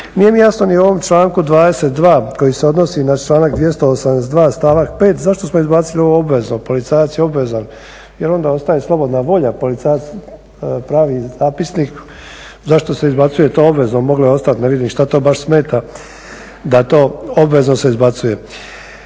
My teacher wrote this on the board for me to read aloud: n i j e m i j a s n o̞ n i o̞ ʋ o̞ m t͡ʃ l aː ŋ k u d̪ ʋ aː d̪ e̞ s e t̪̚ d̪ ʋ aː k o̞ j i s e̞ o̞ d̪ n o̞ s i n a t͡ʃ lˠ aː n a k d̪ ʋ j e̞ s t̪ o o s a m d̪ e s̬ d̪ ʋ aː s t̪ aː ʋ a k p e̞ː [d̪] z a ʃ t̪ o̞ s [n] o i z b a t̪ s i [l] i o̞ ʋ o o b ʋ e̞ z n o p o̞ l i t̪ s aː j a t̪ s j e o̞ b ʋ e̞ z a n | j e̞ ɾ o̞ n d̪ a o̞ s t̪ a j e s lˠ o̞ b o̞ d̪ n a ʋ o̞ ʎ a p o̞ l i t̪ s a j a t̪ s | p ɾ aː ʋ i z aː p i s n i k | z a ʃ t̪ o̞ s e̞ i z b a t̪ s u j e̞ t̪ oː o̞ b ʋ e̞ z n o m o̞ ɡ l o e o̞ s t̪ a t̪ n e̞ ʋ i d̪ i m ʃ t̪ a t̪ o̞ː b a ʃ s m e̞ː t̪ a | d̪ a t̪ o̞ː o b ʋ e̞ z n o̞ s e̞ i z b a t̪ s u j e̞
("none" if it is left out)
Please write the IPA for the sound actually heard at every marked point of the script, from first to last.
t̪, m, l

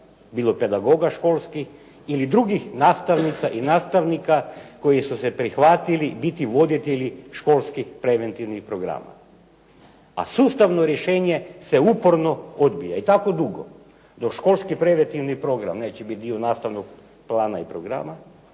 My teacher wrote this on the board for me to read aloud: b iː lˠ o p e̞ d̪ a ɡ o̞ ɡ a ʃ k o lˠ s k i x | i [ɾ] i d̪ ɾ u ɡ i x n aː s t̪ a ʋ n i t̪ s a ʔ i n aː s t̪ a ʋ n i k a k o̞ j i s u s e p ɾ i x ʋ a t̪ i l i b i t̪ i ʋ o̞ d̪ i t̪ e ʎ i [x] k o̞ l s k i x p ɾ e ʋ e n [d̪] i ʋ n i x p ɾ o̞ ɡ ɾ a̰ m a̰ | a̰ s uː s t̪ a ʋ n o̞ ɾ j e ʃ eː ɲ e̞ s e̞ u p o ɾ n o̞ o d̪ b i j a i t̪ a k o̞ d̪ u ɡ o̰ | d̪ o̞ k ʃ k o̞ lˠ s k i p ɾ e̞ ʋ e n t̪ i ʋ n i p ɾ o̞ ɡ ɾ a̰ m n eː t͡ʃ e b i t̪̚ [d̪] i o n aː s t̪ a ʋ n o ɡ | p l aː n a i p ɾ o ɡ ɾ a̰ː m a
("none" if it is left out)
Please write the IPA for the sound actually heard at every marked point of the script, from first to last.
l, ʃ, t̪, d̪

